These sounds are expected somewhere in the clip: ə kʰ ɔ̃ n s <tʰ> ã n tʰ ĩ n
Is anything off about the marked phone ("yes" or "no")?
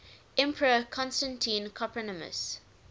yes